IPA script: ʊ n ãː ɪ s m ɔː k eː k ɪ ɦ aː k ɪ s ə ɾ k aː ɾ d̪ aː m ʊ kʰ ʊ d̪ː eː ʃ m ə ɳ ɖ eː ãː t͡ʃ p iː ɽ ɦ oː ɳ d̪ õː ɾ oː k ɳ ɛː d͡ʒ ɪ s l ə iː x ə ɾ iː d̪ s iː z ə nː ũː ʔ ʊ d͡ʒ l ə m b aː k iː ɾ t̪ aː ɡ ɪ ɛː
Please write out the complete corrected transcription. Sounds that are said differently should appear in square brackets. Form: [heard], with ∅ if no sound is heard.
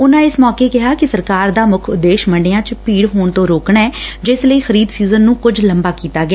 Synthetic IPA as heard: ʊ n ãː ɪ s m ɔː k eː k ɪ ɦ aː k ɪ s ə ɾ k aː ɾ d̪ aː m ʊ kʰ ʊ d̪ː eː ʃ m ə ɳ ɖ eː ãː t͡ʃ p iː ɽ ɦ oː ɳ [t̪] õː ɾ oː k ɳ ɛː d͡ʒ ɪ s l ə iː x ə ɾ iː d̪ s iː z ə nː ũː [k] ʊ d͡ʒ l ə m b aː k iː [∅] t̪ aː ɡ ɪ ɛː